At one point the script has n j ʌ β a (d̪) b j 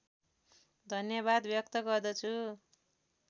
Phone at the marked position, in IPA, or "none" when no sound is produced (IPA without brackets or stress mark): d̪